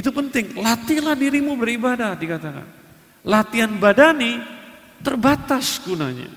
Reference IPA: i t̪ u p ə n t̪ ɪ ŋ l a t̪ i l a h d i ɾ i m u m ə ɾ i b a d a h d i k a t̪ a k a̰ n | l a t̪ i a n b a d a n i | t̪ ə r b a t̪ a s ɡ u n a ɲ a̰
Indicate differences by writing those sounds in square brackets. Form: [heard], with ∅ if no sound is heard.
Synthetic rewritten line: i t̪ u p ə n t̪ ɪ ŋ l a t̪ i l a h d i ɾ i m u [b] ə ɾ i b a d a h d i k a t̪ a k a̰ n | l a t̪ i a n b a d a n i | t̪ ə r b a t̪ a s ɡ u n a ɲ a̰